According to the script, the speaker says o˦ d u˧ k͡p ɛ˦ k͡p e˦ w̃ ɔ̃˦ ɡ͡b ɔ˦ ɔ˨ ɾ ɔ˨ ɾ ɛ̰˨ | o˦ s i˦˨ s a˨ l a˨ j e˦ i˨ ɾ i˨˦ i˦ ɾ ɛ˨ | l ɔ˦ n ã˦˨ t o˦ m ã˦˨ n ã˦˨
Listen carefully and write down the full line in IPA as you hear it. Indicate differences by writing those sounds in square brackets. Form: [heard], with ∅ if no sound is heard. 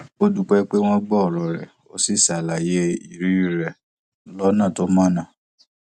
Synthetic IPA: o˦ d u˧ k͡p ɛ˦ k͡p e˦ w̃ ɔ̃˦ ɡ͡b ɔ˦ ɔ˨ ɾ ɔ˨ ɾ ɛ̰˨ | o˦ s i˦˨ s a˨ l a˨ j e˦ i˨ ɾ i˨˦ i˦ ɾ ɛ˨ | l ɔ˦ n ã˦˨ t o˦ m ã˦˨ n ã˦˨